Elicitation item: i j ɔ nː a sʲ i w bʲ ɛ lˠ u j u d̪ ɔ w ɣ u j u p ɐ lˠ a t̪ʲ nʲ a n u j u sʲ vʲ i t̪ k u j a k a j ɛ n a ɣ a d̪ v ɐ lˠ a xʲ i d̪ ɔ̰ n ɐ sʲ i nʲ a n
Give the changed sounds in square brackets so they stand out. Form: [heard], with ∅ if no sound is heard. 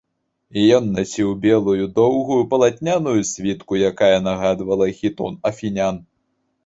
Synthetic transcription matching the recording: i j ɔ nː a sʲ i w bʲ ɛ lˠ u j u d̪ ɔ w ɣ u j u p ɐ lˠ a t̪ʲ nʲ a n u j u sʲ vʲ i t̪ k u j a k a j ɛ n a ɣ a d̪ v ɐ lˠ [ɐ] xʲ i [t̪] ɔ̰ n ɐ [fʲ] i nʲ a n